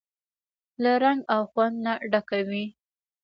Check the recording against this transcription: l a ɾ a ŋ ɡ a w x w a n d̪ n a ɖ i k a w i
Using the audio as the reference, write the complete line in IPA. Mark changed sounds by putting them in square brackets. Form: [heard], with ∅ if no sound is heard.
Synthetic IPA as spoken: l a ɾ a ŋ ɡ a w x w a n d̪ n a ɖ [a] k a w i